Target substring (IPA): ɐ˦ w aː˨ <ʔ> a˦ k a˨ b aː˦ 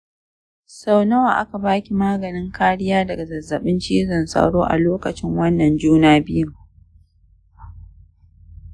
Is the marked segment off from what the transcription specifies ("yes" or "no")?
no